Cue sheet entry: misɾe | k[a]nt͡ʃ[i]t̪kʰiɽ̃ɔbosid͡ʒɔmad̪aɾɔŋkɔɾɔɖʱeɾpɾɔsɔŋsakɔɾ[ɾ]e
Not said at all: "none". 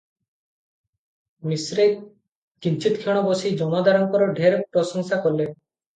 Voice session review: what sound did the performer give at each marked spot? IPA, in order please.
i, i, l

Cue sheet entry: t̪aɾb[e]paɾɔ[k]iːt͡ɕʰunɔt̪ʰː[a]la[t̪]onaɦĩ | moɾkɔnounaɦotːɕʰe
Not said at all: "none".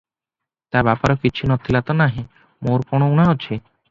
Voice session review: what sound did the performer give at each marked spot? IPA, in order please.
a, k, i, t̪

